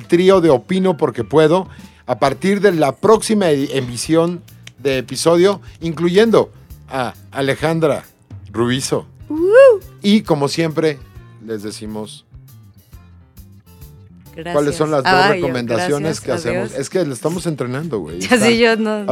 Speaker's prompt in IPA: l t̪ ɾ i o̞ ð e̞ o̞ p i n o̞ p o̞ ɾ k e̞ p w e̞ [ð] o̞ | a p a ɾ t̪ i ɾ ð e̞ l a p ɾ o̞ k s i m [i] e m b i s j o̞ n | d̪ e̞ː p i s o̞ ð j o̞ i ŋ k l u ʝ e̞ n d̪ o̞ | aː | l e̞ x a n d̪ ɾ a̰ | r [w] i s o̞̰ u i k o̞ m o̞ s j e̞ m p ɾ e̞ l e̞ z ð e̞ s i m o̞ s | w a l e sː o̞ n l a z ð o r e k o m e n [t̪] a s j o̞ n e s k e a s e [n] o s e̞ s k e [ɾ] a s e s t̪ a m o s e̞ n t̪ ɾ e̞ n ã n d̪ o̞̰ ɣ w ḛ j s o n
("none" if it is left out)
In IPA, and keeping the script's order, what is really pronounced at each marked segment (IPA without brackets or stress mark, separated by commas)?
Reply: ð, a, u, d̪, m, l